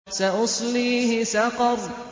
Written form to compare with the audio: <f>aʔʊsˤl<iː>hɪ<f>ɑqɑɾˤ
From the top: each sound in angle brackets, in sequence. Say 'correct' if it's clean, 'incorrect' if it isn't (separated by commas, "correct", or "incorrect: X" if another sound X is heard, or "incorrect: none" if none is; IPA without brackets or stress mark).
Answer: incorrect: s, correct, incorrect: s